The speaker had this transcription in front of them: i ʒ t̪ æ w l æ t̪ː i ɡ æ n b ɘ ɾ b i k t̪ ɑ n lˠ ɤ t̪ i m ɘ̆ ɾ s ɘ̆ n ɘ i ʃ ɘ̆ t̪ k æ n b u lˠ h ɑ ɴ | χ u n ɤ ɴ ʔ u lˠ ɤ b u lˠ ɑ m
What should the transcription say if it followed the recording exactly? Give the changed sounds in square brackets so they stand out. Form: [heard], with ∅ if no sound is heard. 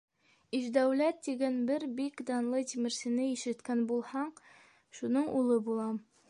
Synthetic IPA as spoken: i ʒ [d̪] æ w l æ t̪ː i ɡ æ n b ɘ ɾ b i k [d̪] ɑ n lˠ ɤ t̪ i m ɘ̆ ɾ s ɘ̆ n ɘ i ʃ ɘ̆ t̪ k æ n b u lˠ h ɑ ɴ | [ʃ] u n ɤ ɴ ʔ u lˠ ɤ b u lˠ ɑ m